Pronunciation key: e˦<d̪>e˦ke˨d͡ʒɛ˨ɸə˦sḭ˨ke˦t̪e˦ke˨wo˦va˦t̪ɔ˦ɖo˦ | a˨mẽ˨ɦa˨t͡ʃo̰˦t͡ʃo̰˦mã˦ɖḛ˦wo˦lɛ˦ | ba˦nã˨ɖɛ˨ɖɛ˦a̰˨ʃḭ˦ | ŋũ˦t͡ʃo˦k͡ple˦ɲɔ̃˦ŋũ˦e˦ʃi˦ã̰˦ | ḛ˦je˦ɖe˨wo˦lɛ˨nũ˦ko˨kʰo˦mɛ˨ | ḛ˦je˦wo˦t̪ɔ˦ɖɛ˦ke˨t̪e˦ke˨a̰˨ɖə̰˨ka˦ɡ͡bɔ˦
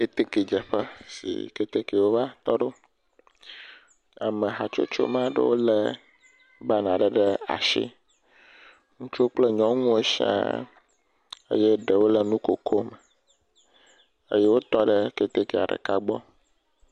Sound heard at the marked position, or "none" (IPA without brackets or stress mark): t̪